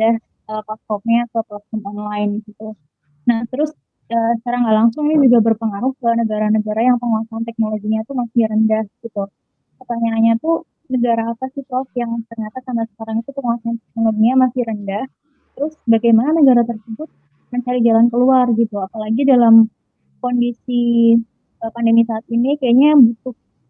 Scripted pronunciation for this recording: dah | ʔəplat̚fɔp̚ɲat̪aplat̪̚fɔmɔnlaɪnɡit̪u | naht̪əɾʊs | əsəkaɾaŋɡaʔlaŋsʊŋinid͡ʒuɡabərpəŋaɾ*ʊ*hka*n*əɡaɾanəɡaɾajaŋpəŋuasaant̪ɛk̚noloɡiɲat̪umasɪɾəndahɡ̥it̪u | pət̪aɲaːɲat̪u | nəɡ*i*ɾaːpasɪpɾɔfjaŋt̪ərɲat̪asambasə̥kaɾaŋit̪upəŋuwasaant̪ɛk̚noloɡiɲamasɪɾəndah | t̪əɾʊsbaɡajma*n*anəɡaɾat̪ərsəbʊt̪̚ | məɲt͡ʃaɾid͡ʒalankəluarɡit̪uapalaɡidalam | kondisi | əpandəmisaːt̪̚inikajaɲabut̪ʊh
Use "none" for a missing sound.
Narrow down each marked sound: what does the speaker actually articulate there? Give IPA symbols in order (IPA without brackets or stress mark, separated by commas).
ʊ, n, a, n